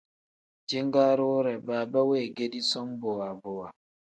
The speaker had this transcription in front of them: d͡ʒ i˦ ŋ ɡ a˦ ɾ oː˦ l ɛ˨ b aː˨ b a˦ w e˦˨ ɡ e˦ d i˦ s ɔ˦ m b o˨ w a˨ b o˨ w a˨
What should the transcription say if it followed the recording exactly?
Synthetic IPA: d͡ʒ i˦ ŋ ɡ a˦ ɾ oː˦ ɾ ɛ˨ b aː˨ b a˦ w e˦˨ ɡ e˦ d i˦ s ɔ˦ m b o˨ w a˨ b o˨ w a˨